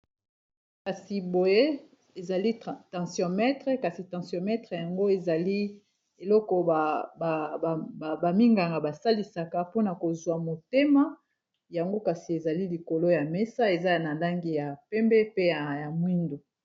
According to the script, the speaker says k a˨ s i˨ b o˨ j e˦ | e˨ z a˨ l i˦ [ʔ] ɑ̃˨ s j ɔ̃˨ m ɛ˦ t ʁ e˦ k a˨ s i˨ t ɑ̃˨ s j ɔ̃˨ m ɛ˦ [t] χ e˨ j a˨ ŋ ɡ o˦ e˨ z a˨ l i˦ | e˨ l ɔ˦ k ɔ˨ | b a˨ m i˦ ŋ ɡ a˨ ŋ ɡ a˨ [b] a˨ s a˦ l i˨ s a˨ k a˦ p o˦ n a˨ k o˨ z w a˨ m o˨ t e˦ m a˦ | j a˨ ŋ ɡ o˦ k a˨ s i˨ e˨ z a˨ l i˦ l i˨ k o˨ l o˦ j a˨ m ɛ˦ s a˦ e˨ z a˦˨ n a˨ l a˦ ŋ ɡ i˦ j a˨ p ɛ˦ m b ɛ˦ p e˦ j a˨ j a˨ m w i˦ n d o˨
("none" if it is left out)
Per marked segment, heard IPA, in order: t, t, b

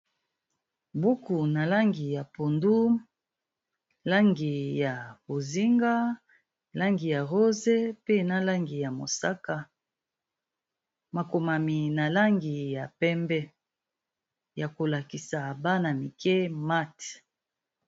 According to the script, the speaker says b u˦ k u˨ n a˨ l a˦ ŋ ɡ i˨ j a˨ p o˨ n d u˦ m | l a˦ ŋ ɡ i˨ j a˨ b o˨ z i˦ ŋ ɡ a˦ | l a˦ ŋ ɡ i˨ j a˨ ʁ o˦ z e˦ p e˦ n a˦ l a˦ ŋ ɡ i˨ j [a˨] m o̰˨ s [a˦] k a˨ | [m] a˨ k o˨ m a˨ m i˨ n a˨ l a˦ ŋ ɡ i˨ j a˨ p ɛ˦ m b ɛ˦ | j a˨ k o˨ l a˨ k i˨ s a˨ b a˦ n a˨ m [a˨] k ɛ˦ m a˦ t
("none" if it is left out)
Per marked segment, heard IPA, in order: a˨, a˦, m, i˨

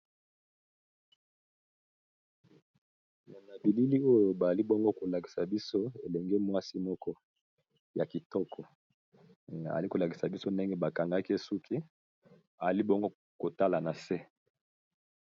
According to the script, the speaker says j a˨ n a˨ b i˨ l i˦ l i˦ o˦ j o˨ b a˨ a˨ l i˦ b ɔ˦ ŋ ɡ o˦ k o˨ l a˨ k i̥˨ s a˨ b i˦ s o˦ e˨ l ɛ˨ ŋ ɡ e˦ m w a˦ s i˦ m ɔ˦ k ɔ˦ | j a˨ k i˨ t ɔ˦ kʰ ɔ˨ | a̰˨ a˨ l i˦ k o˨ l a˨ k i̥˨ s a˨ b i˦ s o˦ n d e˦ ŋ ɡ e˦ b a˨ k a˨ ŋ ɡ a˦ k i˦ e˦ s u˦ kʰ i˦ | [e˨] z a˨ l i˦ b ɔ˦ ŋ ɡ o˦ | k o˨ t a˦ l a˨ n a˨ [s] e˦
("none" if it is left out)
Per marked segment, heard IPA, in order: a˨, s

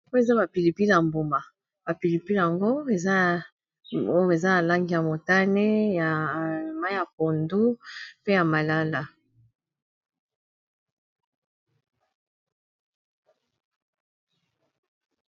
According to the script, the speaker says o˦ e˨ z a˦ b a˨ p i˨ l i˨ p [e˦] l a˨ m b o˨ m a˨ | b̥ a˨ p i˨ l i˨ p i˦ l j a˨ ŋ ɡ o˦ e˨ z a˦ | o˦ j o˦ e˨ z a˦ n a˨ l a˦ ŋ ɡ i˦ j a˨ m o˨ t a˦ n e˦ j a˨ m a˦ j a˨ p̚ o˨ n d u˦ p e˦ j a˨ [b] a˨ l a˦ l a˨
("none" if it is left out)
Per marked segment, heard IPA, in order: i˦, m

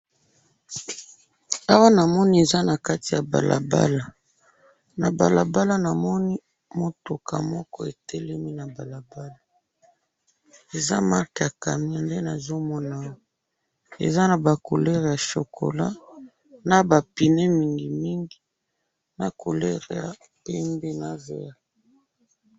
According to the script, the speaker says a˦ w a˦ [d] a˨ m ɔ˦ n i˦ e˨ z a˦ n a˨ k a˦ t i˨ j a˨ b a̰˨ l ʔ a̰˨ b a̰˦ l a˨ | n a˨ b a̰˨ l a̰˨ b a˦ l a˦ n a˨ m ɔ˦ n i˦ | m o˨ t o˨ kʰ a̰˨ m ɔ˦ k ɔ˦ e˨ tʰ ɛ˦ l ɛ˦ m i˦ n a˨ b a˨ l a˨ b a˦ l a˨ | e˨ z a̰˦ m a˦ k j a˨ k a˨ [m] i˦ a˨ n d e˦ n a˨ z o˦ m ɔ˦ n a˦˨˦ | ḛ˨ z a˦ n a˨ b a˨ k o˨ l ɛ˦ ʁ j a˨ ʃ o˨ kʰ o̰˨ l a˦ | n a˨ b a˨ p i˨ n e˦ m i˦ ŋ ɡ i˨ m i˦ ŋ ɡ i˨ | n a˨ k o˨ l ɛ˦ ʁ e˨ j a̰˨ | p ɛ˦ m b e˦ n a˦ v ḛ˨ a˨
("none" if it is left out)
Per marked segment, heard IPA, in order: n, m

